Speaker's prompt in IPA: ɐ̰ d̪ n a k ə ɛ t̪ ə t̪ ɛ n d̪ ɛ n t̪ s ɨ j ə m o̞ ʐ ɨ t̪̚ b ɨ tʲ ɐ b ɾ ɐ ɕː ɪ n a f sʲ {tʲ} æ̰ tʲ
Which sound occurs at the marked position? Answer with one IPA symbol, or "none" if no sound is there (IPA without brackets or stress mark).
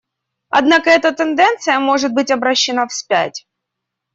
pʲ